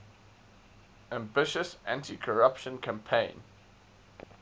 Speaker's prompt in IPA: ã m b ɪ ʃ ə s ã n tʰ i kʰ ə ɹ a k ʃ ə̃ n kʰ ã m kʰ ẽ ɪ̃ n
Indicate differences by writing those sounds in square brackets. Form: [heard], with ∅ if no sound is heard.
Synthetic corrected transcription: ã m b ɪ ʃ ə s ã n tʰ i kʰ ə ɹ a [p] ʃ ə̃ n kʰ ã m [pʰ] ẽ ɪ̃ n